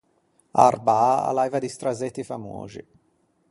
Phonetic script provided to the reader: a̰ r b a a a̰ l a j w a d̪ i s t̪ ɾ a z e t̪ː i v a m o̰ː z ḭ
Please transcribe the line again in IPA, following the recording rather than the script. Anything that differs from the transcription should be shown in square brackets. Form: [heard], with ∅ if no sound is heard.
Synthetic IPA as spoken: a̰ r b a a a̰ l a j [v] a d̪ i s t̪ ɾ a z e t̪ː i [f] a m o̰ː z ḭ